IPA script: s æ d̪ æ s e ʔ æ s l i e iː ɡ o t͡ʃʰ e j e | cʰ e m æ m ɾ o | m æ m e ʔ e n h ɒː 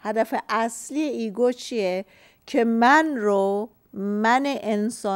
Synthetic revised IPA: h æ d̪ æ f e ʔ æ s l i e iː ɡ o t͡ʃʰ i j e | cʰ e m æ n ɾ o | m æ n e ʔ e n s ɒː

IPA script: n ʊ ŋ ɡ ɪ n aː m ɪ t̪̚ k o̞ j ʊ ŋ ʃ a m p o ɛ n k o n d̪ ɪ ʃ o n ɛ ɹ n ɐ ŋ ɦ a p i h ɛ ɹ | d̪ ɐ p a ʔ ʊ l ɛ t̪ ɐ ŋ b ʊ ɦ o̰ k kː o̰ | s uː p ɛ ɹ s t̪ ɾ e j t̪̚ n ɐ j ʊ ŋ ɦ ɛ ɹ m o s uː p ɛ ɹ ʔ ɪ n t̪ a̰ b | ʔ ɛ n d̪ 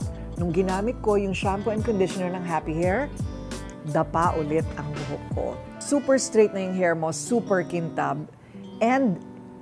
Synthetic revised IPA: n ʊ ŋ ɡ ɪ n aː m ɪ t̪̚ k o̞ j ʊ ŋ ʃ a m p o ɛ n k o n d̪ ɪ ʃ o n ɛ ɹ n ɐ ŋ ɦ a p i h ɛ ɹ | d̪ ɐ p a ʔ ʊ l ɛ t̪ ɐ ŋ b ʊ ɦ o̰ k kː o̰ | s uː p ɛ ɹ s t̪ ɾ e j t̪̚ n ɐ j ʊ ŋ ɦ ɛ ɹ m o s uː p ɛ ɹ k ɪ n t̪ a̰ b | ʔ ɛ n d̪

